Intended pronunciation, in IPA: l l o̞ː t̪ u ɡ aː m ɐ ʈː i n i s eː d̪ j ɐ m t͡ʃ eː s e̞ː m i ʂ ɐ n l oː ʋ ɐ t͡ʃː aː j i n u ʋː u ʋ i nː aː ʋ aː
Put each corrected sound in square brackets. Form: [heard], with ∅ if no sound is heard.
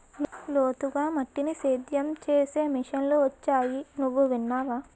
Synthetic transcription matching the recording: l l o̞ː t̪ u ɡ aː m ɐ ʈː i n i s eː d̪ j ɐ m t͡ʃ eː s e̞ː m i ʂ ɐ n l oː ʋ ɐ t͡ʃː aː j i n u ʋː u ʋ i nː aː ʋ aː